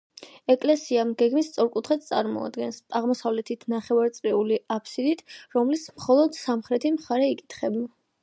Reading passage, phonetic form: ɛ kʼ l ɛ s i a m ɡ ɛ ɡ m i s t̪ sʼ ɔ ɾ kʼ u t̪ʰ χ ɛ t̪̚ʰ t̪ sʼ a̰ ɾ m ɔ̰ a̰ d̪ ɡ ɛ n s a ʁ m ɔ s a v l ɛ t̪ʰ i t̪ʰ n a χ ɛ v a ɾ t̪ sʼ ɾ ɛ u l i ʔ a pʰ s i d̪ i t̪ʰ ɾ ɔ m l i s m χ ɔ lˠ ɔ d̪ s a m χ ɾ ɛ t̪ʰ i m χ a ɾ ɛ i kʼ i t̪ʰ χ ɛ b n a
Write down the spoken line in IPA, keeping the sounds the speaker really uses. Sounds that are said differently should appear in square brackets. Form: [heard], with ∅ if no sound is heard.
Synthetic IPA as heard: ɛ kʼ l ɛ s i a m ɡ ɛ ɡ m i s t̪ sʼ ɔ ɾ kʼ u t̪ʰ χ ɛ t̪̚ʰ t̪ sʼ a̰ ɾ m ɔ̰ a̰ d̪ ɡ ɛ n s a ʁ m ɔ s a v l ɛ t̪ʰ i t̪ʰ n a χ ɛ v a ɾ t̪ sʼ ɾ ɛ u l i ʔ a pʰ s i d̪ i t̪ʰ ɾ ɔ m l i s m χ ɔ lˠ ɔ d̪ s a m χ ɾ ɛ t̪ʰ i m χ a ɾ ɛ i kʼ i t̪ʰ χ ɛ b n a